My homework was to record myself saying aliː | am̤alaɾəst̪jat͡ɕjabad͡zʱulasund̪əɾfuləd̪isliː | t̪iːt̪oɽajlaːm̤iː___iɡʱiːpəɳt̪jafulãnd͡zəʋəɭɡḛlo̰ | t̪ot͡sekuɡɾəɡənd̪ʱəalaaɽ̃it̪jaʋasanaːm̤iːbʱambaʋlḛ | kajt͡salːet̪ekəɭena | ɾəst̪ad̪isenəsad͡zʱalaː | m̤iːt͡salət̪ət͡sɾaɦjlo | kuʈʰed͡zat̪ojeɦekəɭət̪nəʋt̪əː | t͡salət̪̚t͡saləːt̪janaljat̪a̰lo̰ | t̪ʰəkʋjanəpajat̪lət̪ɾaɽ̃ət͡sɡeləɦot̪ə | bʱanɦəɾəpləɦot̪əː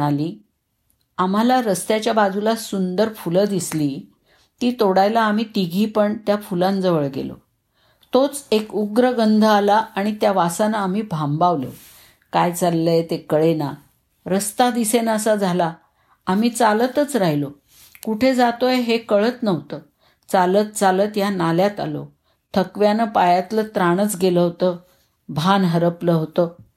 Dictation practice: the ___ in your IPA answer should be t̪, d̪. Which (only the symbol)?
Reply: t̪